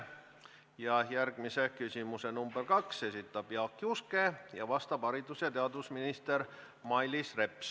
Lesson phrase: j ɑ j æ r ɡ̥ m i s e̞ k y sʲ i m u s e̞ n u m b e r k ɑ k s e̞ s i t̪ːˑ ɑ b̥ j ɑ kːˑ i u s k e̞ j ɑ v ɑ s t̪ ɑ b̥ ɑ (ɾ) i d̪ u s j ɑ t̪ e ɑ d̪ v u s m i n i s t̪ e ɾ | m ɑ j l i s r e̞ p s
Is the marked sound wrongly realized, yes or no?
no